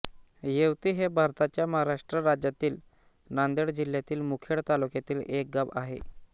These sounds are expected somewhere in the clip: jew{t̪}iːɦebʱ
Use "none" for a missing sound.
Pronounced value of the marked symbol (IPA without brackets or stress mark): t̪